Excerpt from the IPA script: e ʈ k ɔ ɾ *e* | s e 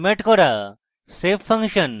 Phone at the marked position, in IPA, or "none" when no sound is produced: a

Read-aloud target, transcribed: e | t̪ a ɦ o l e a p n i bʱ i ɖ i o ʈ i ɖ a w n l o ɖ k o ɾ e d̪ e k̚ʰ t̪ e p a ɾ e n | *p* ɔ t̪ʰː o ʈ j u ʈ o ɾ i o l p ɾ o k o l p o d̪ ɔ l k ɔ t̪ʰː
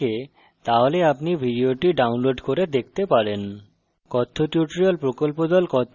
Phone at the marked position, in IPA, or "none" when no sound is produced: k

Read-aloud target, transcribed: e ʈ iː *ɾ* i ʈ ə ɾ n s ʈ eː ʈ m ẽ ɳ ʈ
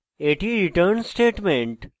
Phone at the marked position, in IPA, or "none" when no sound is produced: ɾ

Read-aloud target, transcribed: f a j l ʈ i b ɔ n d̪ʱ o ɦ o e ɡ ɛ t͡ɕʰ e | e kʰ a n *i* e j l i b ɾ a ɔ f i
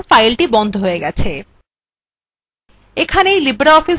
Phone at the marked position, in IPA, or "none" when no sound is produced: e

